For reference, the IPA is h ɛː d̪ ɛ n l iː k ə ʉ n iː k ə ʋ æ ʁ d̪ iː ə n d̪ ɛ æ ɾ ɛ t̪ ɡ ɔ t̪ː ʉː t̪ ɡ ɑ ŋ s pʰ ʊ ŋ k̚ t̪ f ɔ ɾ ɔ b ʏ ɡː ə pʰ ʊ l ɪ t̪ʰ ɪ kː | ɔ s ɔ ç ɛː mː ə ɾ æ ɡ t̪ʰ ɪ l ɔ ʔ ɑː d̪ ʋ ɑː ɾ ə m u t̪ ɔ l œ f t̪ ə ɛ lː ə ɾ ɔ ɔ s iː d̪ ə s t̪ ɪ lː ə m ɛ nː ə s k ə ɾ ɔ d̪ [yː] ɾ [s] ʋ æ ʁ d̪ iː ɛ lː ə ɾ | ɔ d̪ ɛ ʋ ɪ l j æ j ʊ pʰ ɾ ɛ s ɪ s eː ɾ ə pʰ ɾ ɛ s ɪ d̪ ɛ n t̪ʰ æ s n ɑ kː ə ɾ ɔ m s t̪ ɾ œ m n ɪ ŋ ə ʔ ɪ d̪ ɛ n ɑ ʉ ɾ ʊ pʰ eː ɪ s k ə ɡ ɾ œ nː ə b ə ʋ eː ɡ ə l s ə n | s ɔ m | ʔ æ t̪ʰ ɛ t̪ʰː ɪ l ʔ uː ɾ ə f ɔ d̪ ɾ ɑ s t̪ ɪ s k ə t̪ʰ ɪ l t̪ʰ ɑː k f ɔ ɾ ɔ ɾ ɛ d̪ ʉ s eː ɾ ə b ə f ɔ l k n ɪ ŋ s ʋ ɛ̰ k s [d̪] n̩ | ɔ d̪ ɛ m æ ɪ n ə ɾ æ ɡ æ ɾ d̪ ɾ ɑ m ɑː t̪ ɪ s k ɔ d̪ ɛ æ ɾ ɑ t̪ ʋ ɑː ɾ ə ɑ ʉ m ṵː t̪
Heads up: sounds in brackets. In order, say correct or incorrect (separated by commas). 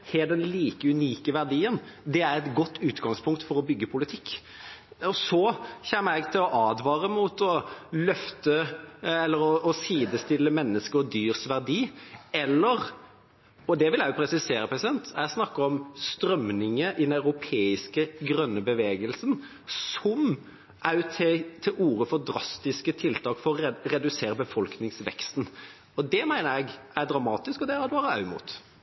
correct, correct, incorrect